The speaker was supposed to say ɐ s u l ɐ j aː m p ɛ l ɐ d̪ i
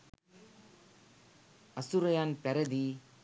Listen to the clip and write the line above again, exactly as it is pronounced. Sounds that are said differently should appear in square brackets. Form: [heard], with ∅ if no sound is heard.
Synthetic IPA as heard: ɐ s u [ɾ] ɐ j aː [n] p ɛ [ɾ] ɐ d̪ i